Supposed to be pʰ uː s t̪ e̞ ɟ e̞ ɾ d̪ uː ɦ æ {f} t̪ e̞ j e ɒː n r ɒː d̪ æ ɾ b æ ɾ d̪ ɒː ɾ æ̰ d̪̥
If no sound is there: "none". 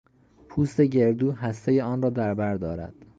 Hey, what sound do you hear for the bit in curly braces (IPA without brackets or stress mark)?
s